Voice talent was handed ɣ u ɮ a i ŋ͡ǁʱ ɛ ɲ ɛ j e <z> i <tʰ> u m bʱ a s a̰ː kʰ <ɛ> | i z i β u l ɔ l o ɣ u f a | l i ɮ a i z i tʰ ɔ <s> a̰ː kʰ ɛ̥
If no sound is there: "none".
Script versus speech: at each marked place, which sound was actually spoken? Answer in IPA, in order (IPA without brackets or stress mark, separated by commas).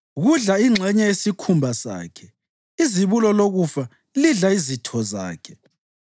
s, kʰ, ɛ, z